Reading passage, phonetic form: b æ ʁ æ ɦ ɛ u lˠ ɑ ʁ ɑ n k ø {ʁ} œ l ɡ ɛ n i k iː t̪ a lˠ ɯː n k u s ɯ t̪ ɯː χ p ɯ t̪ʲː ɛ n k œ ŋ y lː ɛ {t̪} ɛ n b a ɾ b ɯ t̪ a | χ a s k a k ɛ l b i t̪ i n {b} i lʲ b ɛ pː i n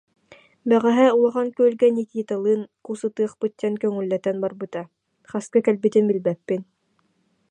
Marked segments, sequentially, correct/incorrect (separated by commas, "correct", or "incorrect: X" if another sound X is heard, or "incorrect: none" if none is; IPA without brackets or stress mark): incorrect: none, correct, correct